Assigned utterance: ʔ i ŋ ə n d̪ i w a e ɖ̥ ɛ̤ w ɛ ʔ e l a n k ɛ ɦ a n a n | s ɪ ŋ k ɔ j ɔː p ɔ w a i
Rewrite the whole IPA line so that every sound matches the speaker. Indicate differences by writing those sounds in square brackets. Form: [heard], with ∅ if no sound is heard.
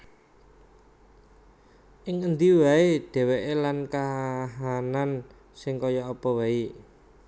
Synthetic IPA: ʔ [ɪ] ŋ ə n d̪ i w a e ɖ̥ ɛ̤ w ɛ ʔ e l a n k [a] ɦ a n a n | s ɪ ŋ k ɔ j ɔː p ɔ w a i